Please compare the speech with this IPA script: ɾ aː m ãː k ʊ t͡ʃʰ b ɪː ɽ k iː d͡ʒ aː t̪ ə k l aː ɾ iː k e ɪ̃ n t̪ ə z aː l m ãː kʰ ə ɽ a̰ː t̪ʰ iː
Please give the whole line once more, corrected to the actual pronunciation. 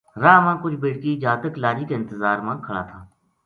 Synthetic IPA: ɾ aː m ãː k ʊ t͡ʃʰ b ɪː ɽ k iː d͡ʒ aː t̪ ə k l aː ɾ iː k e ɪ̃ n t̪ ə z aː ɾ m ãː kʰ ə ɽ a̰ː t̪ʰ aː